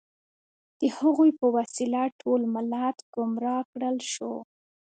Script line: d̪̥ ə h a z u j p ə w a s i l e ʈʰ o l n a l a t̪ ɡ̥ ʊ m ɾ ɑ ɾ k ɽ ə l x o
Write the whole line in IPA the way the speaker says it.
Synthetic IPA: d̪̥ ə h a ɣ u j p ə w a s i l a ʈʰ o l m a l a t̪ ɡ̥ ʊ m ɾ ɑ k ɽ ə l ʃ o